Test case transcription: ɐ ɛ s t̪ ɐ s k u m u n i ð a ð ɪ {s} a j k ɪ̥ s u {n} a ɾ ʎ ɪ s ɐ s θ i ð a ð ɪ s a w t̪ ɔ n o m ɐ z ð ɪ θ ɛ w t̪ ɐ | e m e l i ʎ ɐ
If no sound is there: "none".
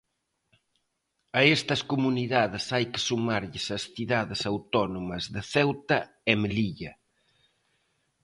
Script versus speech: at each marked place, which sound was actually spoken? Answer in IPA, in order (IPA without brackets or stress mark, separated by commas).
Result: s, m